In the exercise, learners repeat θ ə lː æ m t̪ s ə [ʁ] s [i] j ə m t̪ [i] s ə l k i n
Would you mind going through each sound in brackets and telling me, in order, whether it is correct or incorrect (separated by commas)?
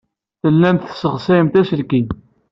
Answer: correct, incorrect, incorrect